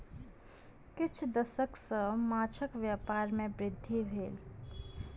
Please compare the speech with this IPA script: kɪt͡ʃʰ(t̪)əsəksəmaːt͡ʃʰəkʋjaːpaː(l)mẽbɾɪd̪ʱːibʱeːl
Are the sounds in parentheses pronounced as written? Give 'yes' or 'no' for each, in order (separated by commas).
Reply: no, no